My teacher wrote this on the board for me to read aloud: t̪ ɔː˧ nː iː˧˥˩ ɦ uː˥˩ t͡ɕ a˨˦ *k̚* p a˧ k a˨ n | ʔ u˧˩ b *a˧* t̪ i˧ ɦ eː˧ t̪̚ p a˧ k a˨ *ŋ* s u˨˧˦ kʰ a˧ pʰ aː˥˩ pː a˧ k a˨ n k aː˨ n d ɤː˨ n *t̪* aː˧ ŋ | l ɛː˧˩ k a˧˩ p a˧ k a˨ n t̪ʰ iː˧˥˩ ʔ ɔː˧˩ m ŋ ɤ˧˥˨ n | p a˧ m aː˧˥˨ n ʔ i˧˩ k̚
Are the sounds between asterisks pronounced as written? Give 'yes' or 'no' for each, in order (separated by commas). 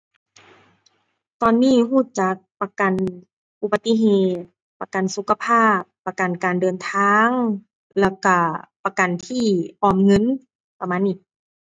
yes, yes, no, no